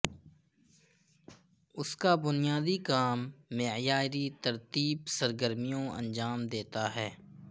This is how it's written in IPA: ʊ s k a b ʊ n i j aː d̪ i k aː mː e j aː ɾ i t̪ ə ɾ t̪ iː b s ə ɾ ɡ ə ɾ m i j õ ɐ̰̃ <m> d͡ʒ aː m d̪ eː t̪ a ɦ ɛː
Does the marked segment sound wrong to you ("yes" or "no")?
yes